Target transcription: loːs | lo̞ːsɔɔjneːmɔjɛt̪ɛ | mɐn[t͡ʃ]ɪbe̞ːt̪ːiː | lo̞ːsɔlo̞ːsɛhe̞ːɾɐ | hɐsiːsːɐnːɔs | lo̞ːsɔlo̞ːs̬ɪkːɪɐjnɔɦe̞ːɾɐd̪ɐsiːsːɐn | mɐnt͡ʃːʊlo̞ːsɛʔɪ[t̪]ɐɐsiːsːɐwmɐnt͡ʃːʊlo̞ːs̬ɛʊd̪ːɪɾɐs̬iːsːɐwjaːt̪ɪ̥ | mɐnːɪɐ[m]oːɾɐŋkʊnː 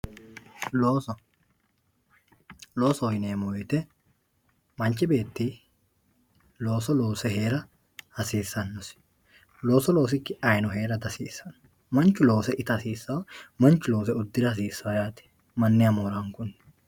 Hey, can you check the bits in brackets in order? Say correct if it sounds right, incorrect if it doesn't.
correct, correct, correct

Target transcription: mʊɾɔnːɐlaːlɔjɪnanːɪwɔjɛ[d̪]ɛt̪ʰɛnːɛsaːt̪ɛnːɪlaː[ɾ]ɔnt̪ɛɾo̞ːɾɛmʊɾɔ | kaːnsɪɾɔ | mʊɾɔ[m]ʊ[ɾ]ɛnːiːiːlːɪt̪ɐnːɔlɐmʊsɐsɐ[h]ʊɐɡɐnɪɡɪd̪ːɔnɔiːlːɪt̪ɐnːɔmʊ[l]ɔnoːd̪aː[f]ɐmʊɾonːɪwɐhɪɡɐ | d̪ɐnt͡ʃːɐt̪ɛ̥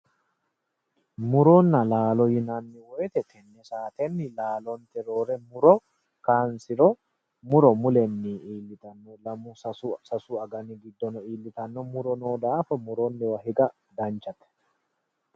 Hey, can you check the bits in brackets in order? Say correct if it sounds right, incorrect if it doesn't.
incorrect: t̪, incorrect: l, correct, incorrect: l, incorrect: s, incorrect: ɾ, correct

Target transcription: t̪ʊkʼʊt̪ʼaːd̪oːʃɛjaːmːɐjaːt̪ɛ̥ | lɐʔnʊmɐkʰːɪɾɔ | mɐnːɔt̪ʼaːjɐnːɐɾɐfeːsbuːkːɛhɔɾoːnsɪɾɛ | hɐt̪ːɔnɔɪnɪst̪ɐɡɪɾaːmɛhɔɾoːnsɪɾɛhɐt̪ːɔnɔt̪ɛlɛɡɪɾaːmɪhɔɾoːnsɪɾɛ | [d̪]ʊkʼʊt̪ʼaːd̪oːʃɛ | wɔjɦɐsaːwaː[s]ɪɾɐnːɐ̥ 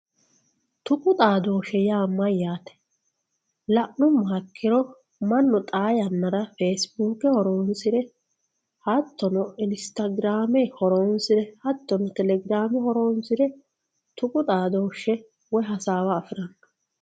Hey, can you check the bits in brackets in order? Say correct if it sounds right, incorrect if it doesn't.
incorrect: t̪, incorrect: f

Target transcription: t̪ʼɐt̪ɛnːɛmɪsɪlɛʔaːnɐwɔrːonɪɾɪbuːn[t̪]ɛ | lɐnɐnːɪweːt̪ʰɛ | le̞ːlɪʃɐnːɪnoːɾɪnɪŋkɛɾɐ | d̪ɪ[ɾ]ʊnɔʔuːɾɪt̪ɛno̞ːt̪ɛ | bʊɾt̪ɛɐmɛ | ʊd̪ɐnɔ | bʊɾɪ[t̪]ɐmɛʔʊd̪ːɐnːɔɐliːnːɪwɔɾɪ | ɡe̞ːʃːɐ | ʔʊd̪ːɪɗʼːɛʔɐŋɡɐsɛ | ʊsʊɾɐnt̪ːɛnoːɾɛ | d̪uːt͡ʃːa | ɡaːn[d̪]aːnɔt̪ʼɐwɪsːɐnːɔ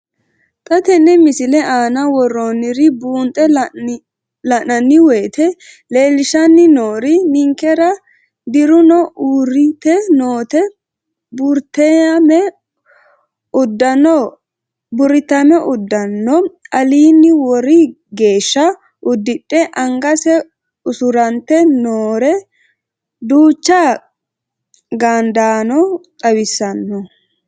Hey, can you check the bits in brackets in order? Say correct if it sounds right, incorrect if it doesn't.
incorrect: t̪ʼ, correct, correct, correct

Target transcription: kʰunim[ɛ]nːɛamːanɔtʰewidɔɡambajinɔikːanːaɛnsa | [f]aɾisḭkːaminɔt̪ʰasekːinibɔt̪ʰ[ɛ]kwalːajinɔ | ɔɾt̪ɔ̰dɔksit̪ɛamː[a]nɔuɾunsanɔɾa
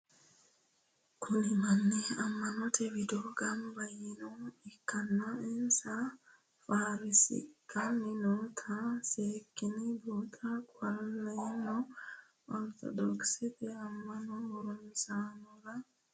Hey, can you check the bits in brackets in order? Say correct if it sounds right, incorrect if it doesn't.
incorrect: a, correct, incorrect: a, correct

